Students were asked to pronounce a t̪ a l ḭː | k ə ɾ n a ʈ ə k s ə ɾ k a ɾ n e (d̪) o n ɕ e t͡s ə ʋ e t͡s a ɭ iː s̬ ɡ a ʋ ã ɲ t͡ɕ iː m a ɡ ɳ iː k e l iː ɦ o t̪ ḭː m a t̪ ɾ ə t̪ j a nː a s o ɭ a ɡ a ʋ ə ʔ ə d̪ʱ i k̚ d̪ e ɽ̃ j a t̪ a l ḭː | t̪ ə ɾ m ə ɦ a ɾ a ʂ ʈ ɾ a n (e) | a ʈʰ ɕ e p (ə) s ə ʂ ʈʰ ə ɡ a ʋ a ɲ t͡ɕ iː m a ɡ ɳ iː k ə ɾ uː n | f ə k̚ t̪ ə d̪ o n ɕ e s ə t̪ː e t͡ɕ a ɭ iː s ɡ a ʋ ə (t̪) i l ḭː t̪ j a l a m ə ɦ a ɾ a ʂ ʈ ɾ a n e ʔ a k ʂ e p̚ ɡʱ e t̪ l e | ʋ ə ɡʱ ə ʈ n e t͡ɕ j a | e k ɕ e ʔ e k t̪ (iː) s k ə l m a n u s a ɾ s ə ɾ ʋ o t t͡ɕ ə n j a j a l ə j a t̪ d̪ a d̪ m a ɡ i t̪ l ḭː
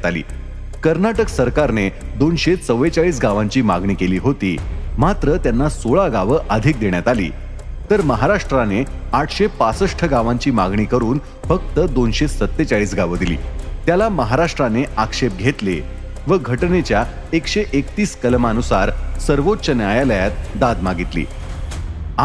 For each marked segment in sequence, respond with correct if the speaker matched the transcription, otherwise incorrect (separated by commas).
correct, correct, incorrect, incorrect, correct